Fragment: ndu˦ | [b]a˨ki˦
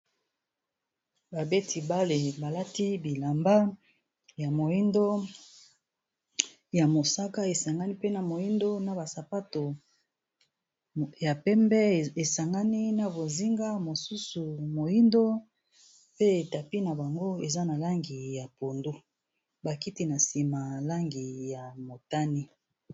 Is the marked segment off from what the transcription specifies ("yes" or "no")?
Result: no